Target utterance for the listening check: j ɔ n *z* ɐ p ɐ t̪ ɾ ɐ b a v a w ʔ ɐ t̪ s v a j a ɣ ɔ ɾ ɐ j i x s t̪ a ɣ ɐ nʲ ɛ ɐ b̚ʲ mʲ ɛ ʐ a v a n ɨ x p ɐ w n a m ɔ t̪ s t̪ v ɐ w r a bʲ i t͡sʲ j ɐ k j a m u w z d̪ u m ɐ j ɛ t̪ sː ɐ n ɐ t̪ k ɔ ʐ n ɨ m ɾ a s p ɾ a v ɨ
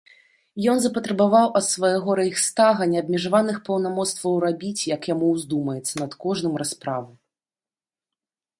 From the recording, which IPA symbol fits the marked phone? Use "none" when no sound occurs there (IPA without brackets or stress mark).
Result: z